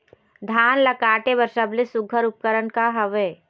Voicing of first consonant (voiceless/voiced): voiced